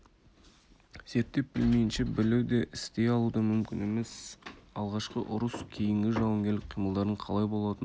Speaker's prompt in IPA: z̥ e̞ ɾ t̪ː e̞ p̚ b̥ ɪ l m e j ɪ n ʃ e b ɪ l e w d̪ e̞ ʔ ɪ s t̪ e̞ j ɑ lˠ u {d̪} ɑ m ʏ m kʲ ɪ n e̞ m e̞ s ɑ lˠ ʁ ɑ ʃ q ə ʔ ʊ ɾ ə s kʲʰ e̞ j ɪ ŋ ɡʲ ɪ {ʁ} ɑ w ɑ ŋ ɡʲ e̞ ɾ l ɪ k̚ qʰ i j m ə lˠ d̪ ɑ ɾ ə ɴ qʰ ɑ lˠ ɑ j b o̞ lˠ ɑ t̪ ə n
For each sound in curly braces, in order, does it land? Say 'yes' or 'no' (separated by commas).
yes, no